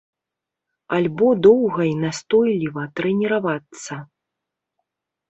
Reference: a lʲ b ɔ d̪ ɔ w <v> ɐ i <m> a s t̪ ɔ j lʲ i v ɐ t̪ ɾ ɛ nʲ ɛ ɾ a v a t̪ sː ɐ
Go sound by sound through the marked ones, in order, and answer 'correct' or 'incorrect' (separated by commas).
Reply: incorrect, incorrect